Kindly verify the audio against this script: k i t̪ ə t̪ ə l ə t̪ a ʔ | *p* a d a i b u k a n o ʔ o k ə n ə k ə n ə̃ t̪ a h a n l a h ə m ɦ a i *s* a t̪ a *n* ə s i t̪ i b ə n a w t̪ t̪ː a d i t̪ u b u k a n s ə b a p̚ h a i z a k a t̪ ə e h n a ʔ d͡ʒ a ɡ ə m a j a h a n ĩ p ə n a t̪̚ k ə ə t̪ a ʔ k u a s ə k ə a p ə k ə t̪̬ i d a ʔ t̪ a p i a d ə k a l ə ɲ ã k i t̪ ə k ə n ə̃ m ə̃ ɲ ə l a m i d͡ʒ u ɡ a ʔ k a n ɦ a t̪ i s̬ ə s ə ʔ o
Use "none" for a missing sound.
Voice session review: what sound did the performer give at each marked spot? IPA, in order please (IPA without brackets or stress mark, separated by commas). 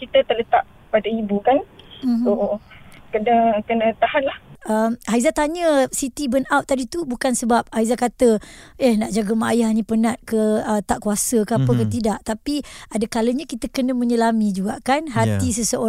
p, z, ɲ